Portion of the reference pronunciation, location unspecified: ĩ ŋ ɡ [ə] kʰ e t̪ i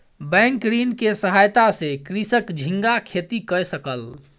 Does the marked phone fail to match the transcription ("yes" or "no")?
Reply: yes